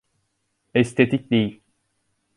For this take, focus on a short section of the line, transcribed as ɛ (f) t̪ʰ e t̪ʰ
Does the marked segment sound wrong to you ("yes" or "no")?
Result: yes